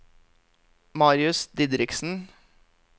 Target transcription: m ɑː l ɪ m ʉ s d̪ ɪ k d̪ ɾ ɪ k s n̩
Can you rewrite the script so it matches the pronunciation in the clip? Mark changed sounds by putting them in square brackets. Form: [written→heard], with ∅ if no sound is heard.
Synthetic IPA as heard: m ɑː [l→ɾ] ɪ [m→∅] ʉ s d̪ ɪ [k→∅] d̪ ɾ ɪ k s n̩